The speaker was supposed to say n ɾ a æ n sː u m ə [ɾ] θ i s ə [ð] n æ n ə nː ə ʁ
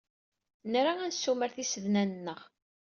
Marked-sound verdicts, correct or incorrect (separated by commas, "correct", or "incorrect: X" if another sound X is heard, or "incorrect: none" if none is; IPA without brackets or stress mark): correct, correct